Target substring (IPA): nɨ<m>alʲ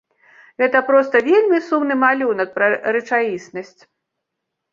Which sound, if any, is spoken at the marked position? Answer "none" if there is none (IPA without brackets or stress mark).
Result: m